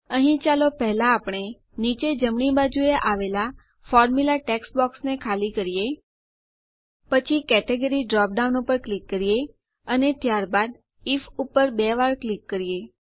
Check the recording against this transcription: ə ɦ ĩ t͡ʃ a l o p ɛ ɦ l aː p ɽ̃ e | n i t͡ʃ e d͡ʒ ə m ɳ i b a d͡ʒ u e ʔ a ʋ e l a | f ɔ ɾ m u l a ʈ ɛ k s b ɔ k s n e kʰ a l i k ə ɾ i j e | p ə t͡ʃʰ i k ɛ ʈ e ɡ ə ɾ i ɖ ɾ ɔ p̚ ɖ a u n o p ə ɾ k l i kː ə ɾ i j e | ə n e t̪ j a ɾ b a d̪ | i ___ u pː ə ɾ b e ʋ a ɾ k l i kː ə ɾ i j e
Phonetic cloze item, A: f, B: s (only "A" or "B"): A